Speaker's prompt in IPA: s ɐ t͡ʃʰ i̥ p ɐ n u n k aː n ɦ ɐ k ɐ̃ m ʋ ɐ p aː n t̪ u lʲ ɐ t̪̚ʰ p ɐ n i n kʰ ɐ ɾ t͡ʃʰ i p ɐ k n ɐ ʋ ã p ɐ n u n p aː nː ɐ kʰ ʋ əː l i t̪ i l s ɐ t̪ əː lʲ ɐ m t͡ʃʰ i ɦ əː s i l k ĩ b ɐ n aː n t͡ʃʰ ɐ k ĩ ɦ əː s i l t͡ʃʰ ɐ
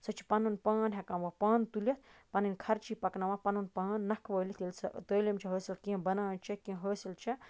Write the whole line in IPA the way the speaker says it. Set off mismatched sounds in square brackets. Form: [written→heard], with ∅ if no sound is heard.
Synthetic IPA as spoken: s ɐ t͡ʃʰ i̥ p ɐ n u n [k→p] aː n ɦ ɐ k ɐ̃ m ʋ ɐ p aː n t̪ u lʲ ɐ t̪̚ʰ p ɐ n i n kʰ ɐ ɾ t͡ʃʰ i p ɐ k n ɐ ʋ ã p ɐ n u n p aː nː ɐ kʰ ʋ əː l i t̪ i l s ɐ t̪ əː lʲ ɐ m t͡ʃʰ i ɦ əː s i l k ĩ b ɐ n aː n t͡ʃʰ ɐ k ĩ ɦ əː s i l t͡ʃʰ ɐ